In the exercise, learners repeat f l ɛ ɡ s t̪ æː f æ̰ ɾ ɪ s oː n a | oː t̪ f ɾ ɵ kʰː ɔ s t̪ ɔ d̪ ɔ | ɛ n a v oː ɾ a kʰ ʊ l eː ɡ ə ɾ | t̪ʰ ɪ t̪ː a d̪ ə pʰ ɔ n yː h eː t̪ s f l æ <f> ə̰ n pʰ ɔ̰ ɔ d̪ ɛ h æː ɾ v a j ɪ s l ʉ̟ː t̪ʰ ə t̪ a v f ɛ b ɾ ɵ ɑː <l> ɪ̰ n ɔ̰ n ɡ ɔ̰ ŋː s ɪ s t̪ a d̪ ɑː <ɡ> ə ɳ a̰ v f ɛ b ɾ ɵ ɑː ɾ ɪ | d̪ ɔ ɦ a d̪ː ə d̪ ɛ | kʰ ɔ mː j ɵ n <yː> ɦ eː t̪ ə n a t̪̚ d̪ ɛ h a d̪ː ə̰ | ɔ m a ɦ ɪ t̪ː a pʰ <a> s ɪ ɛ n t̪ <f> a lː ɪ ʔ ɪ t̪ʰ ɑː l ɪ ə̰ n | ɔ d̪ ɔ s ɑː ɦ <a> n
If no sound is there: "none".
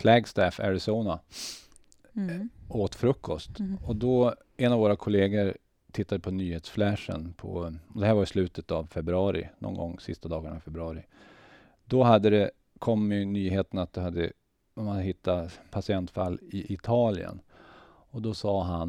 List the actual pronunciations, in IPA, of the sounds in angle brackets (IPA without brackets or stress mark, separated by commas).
ʂ, ɾ, ɡ, yː, a, f, a